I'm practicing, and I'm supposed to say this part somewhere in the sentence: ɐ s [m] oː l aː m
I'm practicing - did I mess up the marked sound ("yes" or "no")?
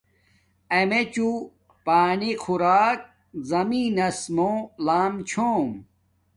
no